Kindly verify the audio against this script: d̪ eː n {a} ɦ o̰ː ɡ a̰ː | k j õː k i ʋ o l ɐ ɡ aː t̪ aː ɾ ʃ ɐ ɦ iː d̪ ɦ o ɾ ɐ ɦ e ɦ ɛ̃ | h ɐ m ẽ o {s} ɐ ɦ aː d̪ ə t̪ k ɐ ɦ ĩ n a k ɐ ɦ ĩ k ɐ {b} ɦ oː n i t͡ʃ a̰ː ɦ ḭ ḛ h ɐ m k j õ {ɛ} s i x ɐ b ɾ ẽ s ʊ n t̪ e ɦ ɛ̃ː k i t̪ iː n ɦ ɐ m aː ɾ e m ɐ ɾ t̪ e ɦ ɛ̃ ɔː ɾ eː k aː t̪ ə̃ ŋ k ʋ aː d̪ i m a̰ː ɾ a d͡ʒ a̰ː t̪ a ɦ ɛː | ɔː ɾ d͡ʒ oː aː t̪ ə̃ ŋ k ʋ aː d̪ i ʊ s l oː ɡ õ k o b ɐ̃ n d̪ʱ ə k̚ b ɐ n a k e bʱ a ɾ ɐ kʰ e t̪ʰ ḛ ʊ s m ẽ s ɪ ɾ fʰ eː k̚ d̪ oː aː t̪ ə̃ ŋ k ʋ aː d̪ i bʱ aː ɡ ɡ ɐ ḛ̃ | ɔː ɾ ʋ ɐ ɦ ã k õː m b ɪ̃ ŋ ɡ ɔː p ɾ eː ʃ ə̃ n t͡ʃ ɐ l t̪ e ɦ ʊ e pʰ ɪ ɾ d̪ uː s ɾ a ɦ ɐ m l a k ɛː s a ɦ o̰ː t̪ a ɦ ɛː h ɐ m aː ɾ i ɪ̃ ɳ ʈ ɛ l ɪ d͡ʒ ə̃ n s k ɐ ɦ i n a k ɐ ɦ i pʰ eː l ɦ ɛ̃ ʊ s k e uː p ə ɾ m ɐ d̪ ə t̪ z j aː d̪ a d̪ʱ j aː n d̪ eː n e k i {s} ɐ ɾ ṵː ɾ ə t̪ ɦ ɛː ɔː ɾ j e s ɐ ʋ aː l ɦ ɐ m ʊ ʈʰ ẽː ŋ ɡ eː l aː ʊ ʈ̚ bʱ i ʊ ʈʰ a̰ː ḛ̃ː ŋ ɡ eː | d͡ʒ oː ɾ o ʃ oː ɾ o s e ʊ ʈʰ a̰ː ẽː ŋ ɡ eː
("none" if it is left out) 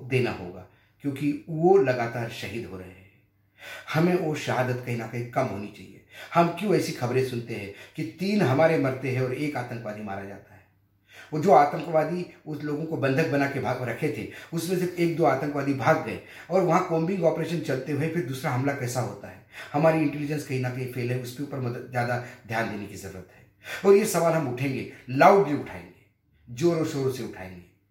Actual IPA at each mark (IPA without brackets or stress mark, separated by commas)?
a, ʃ, m, ɛː, z